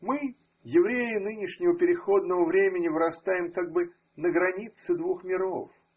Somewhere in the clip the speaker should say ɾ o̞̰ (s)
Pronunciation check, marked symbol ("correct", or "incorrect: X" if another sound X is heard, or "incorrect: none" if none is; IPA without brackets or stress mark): incorrect: f